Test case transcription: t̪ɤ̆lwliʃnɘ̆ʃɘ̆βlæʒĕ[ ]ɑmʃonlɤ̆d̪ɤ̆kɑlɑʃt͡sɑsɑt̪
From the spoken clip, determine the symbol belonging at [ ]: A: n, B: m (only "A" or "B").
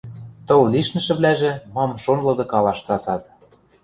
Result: B